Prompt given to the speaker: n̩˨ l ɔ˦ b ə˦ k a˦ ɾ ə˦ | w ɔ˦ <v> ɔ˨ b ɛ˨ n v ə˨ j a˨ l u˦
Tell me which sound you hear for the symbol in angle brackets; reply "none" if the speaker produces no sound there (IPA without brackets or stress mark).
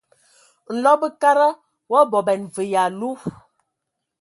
b